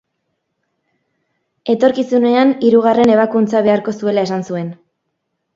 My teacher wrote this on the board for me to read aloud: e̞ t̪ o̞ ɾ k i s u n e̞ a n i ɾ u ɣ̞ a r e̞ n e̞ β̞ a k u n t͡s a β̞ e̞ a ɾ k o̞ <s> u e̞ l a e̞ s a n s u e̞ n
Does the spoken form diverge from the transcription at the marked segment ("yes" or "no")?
no